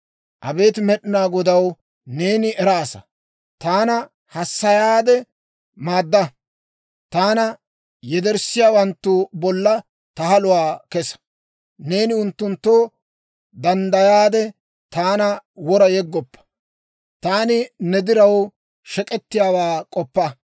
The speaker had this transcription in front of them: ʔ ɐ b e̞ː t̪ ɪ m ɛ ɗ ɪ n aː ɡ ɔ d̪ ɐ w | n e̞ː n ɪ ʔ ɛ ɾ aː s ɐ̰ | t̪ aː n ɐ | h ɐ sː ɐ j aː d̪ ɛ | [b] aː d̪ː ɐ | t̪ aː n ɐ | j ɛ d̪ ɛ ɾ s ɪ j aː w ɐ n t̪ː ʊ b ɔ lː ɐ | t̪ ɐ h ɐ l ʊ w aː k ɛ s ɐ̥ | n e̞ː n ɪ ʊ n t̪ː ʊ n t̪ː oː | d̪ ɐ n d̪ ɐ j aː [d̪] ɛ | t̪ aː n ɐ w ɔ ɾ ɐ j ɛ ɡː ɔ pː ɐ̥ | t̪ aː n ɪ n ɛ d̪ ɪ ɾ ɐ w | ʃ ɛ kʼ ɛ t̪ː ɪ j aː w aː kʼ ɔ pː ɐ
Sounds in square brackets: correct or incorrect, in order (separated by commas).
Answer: incorrect, correct